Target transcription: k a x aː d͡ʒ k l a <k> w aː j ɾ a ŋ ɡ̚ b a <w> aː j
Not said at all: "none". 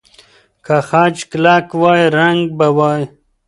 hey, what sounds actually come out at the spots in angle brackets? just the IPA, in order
k, w

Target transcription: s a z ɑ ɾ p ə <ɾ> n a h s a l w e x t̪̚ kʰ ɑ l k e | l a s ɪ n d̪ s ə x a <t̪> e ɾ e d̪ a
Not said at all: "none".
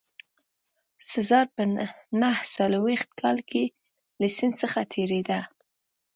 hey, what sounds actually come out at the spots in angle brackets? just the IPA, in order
none, t̪ʰ

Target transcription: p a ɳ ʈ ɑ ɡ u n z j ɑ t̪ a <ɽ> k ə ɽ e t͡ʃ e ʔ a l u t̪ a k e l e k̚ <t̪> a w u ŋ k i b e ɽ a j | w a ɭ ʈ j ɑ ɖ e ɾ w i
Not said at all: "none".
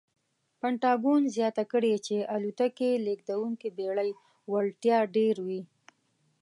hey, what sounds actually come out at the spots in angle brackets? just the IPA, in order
none, d̪

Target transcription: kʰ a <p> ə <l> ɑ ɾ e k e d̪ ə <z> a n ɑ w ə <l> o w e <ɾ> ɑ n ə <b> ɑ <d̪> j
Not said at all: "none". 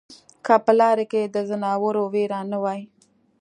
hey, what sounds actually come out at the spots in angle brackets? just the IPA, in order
p, l, z, ɾ, ɾ, w, none

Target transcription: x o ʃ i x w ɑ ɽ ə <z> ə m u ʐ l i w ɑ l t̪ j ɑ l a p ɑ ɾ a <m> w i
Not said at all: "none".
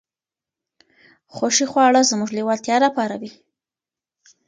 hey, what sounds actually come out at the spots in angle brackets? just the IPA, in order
z, none

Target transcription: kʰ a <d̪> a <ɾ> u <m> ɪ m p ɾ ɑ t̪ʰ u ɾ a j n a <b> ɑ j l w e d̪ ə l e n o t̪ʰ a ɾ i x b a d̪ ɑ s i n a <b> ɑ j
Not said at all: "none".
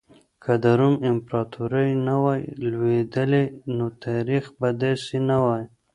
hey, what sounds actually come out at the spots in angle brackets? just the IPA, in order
d̪, ɾ, m, w, w

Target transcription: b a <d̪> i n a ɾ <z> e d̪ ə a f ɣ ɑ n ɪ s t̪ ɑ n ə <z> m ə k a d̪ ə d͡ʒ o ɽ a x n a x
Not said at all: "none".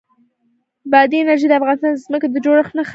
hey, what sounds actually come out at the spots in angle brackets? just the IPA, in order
d̪, ʒ, z

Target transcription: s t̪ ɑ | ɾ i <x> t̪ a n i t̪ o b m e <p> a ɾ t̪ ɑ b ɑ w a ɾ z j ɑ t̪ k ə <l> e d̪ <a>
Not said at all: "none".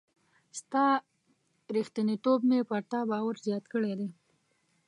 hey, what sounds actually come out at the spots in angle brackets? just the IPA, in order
x, p, ɽ, e

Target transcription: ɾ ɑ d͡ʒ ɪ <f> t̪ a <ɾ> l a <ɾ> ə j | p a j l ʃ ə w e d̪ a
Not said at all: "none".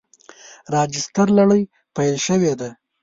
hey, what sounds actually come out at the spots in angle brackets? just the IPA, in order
s, ɾ, ɽ

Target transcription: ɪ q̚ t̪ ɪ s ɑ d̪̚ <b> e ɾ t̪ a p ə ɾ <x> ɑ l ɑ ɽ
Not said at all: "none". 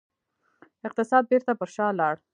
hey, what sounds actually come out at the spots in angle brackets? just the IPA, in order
b, ʃ

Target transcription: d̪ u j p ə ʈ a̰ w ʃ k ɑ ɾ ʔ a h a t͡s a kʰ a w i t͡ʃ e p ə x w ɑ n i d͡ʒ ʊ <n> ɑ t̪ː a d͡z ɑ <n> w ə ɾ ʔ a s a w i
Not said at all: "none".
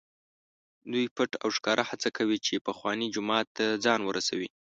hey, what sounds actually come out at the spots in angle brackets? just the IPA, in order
m, n

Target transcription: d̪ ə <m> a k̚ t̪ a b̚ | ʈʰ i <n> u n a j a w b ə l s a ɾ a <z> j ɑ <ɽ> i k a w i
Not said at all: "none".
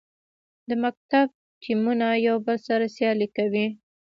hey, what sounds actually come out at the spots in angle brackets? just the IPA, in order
m, m, s, l

